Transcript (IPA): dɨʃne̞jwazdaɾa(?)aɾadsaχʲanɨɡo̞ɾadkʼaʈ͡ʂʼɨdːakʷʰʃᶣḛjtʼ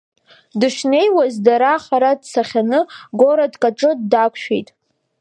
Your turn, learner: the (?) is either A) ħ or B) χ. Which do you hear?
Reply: B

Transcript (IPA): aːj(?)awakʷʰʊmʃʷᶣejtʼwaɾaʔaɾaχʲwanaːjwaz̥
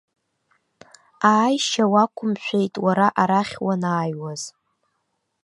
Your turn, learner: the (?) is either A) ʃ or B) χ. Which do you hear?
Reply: A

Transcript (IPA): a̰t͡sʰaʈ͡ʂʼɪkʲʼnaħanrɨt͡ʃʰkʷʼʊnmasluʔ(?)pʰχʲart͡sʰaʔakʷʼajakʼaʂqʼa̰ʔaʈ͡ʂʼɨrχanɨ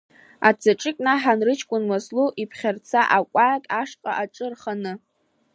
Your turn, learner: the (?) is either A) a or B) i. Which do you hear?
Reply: B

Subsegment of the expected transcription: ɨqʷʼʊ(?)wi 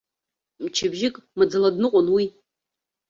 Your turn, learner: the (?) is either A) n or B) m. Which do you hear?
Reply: A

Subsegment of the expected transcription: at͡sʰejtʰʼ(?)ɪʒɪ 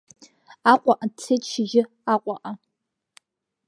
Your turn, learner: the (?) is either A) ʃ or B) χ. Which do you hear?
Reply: A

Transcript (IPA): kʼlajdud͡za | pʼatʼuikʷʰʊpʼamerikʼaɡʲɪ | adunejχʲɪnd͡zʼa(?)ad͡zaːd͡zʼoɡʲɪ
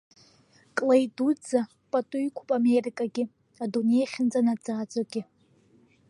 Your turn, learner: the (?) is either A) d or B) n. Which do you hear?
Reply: B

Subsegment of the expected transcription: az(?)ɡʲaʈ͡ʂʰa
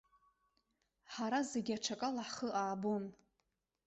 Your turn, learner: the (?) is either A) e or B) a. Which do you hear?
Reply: A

